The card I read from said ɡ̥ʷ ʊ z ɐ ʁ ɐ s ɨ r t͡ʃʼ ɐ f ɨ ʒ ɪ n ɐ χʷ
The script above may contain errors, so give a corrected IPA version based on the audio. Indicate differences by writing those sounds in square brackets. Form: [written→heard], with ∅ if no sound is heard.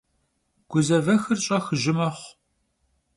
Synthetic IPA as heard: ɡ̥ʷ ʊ z ɐ [ʁ→v] ɐ [s→x] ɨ r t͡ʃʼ ɐ [f→x] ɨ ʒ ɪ [n→m] ɐ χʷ